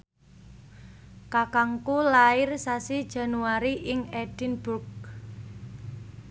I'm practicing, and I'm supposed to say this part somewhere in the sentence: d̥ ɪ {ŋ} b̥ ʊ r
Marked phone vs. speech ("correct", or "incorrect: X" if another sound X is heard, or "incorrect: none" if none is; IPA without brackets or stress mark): incorrect: n